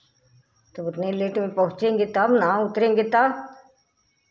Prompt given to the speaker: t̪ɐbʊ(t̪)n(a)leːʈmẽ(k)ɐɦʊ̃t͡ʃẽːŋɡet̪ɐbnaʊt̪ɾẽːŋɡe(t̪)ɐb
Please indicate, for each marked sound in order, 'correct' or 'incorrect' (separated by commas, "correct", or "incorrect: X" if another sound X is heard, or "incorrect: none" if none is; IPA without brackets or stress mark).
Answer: correct, incorrect: e, incorrect: p, correct